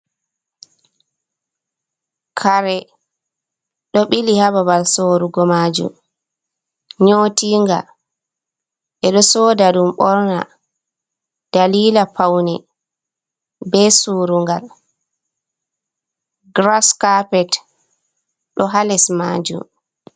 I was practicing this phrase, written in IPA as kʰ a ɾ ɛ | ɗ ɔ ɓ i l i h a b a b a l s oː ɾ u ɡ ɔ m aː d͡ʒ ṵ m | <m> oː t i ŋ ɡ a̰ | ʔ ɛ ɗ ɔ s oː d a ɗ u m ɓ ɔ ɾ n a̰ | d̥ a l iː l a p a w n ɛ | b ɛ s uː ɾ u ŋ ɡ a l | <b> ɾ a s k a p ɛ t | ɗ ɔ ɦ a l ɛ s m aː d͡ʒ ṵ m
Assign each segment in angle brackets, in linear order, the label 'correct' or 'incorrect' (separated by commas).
incorrect, incorrect